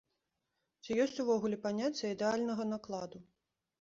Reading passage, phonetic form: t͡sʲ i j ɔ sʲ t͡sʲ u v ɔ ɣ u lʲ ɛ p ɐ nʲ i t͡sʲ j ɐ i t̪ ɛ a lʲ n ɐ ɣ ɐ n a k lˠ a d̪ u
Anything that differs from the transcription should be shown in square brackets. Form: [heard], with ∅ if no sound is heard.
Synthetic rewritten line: t͡sʲ i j ɔ sʲ t͡sʲ u v ɔ ɣ u lʲ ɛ p [a] nʲ [a] t͡sʲ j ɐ i [d̪] ɛ a lʲ n ɐ ɣ ɐ n a k lˠ a d̪ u